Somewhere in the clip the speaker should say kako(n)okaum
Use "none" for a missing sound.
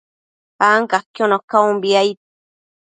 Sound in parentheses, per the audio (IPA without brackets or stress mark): n